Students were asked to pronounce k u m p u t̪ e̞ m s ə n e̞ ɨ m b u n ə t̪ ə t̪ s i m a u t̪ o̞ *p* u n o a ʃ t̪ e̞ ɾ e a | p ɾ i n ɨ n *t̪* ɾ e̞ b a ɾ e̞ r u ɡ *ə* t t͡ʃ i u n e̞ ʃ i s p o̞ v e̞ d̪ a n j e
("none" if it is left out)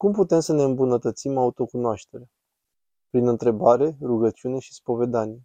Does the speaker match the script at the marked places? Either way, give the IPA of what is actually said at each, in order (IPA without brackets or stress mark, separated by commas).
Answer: k, t̪, ə